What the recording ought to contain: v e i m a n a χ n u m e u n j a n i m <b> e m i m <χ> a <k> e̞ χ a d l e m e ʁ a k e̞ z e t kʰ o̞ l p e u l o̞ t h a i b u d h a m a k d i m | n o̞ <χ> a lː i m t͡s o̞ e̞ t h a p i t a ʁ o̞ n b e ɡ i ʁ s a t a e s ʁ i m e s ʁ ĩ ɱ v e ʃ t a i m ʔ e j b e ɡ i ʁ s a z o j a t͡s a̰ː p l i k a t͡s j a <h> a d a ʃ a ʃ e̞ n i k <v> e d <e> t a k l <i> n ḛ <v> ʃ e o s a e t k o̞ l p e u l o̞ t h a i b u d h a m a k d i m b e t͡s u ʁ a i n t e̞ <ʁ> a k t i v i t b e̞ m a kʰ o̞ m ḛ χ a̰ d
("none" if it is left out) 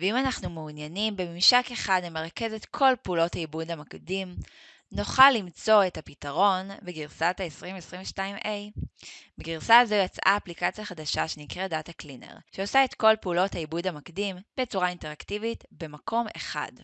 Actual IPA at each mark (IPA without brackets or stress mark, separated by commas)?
b, ʃ, k, χ, χ, ʁ, a, i, ʁ, ʁ